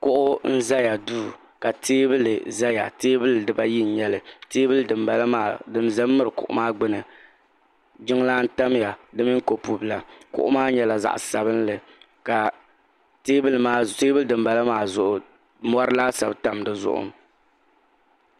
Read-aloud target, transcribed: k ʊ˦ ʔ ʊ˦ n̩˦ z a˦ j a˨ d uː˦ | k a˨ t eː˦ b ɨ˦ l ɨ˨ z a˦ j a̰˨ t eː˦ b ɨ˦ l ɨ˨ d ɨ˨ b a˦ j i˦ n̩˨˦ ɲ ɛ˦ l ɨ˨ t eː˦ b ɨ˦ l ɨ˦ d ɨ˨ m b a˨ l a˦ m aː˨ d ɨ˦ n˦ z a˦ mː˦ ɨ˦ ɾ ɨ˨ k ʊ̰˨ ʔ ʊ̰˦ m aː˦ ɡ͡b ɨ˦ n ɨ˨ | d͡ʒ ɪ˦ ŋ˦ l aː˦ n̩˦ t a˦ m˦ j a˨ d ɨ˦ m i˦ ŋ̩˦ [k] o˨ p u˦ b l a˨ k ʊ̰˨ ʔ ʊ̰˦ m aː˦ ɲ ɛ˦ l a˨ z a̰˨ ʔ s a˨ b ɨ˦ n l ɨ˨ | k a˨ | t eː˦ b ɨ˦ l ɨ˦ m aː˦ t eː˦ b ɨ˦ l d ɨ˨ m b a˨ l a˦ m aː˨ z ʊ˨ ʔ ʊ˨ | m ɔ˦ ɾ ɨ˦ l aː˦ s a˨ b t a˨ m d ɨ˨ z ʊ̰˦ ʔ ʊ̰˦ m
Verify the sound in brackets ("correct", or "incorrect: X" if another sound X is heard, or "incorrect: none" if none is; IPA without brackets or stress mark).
correct